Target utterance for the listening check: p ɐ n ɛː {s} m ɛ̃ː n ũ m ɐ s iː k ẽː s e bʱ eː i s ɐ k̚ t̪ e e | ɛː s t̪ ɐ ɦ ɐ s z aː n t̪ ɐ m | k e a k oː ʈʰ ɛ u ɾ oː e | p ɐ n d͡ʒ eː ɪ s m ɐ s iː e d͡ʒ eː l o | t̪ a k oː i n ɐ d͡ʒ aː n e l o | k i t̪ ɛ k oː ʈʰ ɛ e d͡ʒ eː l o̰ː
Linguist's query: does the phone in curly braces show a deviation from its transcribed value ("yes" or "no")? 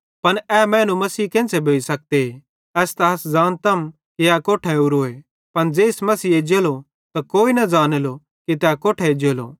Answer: yes